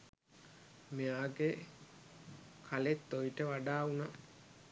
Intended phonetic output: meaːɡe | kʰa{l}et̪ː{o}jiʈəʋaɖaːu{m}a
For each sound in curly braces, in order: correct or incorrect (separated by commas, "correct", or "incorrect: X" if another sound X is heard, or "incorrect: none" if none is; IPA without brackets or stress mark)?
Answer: correct, correct, incorrect: n